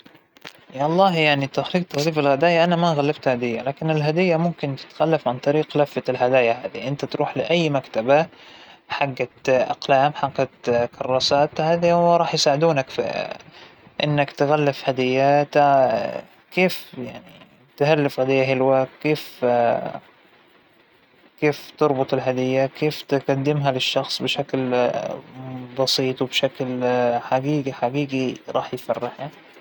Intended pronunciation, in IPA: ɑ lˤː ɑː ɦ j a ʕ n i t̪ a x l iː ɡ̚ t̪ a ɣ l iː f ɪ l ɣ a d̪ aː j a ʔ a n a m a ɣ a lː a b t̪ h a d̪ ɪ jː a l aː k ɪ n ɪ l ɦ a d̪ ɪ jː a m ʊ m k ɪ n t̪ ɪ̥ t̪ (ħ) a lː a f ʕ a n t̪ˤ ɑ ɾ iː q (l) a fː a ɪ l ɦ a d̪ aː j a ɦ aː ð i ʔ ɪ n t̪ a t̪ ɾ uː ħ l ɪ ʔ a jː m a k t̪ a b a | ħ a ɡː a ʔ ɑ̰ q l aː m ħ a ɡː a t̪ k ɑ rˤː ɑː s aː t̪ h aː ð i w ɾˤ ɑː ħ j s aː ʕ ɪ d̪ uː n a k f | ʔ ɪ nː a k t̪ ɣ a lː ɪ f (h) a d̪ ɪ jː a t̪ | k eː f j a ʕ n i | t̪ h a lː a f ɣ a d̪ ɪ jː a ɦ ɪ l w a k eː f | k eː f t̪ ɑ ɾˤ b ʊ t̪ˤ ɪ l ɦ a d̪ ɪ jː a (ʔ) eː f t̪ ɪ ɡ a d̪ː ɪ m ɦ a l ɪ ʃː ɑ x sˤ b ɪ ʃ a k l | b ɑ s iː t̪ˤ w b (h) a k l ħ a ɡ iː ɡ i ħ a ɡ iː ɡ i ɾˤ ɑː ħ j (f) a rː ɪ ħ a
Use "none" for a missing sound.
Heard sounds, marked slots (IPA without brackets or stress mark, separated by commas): x, l, h, k, ʃ, f